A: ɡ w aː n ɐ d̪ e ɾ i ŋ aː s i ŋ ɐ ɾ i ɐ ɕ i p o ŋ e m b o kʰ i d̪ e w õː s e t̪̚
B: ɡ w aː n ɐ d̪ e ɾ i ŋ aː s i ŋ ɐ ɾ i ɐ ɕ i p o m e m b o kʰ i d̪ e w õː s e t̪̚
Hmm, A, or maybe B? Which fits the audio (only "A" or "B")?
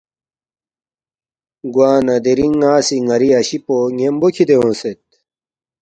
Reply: A